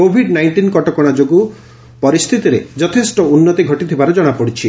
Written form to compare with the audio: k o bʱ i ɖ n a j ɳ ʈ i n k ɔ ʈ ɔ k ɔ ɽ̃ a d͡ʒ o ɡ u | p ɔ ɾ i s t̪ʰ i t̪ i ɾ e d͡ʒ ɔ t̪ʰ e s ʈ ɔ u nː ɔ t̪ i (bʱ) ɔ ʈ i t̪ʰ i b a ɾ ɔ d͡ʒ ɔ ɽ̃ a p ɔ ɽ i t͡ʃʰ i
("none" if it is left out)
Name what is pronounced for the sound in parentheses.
ɡʱ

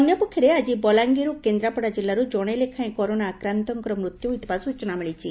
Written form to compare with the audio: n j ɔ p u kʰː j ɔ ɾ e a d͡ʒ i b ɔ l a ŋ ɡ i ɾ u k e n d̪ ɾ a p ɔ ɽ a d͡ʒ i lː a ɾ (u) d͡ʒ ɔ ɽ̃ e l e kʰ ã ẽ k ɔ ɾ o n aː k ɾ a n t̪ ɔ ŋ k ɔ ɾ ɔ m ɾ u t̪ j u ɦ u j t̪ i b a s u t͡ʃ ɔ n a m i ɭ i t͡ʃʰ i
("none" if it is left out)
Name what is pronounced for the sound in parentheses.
u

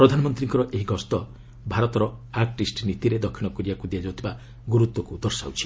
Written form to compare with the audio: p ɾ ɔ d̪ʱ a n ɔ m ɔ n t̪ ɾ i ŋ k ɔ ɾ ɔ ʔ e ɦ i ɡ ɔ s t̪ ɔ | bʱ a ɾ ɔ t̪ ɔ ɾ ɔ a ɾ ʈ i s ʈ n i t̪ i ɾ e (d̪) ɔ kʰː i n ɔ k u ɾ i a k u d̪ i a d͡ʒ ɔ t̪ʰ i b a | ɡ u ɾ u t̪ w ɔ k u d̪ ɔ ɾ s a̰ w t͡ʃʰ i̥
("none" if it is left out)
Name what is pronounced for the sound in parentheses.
d̪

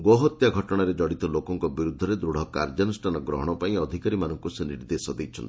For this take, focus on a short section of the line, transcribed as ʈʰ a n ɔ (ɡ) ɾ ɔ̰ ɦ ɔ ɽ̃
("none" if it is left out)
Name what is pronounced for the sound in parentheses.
ɡ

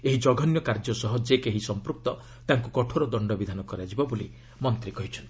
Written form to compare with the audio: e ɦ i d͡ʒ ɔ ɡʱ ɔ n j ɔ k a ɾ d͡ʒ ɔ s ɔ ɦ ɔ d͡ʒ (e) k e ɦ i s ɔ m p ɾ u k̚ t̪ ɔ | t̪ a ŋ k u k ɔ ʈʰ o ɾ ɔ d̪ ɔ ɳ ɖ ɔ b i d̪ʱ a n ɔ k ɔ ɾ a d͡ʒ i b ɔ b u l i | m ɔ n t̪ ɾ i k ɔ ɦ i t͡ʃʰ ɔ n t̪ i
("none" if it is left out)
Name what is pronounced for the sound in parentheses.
e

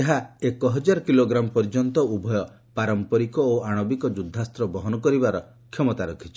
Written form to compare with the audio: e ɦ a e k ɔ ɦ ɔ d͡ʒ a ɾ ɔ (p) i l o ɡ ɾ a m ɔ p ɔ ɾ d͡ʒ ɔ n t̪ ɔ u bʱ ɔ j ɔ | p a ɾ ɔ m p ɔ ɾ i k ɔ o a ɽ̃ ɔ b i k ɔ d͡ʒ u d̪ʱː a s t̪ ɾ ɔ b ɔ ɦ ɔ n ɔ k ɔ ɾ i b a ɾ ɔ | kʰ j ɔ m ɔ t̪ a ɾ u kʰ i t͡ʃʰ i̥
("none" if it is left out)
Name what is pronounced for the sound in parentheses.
k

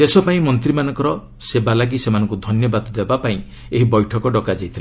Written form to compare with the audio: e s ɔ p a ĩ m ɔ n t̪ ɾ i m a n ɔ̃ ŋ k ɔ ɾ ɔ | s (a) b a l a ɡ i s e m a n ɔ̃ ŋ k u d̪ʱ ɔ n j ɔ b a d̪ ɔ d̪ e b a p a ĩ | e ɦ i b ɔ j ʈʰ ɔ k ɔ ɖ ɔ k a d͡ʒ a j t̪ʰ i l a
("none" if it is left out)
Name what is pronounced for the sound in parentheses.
e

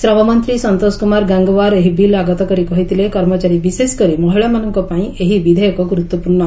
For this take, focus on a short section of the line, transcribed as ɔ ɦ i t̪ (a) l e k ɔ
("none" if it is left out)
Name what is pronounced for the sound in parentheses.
i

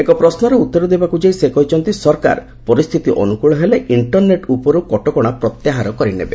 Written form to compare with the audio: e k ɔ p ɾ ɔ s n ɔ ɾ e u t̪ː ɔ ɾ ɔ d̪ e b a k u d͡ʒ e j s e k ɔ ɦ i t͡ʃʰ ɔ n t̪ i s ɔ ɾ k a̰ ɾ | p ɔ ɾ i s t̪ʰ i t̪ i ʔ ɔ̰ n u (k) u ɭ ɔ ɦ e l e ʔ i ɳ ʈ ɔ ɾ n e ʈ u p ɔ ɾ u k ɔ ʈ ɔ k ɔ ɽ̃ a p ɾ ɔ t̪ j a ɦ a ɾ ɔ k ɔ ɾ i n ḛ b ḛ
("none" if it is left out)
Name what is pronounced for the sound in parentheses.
k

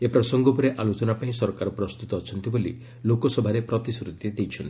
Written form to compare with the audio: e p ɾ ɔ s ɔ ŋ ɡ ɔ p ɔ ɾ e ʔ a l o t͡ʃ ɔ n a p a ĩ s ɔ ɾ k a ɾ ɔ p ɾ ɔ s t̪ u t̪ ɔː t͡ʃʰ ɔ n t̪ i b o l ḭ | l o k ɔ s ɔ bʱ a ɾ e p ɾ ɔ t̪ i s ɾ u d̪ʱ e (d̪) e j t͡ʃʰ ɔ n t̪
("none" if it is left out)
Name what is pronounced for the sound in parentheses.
d̪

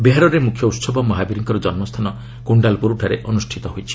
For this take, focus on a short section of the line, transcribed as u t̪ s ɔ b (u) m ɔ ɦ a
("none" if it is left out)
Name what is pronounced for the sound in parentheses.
ɔ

